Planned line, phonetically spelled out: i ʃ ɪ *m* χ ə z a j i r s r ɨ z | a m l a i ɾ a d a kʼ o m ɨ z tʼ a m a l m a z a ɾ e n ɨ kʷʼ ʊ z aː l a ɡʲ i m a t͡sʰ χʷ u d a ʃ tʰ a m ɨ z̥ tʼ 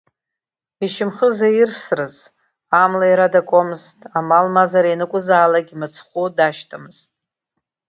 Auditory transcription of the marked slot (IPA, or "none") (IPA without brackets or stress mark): m